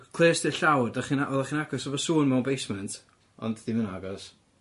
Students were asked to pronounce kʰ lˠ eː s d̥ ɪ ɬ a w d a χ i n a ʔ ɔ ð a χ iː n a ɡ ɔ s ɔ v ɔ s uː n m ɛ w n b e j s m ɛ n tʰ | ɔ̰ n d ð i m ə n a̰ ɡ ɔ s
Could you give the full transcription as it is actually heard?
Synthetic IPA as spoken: kʰ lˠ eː s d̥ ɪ ɬ a w d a χ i n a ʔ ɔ ð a χ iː n a ɡ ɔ s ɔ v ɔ s uː n m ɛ w n b e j s m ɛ n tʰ | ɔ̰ n d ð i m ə n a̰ ɡ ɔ s